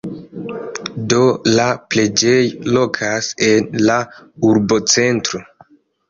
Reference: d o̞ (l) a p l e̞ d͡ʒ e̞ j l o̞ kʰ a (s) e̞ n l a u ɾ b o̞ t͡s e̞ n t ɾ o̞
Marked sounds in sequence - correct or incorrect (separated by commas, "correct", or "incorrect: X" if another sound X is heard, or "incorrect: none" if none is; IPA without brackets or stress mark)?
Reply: correct, correct